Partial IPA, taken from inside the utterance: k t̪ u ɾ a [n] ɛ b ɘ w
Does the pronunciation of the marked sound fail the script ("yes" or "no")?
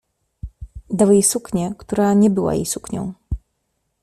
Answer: yes